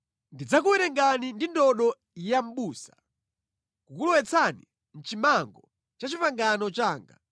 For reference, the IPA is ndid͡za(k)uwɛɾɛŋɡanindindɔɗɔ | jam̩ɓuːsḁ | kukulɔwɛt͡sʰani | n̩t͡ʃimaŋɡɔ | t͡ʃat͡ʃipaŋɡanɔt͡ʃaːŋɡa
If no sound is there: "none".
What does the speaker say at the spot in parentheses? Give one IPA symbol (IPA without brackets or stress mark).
k